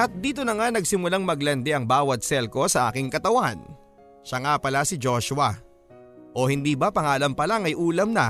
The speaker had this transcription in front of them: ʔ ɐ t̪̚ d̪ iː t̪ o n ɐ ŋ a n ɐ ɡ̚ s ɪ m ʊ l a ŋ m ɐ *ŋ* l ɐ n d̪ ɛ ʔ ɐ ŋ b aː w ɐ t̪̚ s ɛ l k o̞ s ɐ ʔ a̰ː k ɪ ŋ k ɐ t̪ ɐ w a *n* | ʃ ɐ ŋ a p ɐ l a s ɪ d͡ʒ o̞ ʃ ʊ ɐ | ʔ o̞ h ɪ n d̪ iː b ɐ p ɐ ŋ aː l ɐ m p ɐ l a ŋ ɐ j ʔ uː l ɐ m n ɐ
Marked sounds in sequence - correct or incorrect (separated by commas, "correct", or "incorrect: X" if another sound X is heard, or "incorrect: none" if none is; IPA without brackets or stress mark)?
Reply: incorrect: ɡ, correct